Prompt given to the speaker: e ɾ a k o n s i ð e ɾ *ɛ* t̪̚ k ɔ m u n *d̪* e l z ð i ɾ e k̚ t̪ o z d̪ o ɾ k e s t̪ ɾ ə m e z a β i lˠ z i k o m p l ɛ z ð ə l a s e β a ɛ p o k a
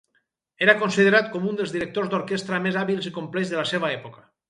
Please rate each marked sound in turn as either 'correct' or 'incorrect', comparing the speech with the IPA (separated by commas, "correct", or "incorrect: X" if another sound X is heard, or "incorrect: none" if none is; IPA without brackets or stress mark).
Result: incorrect: a, correct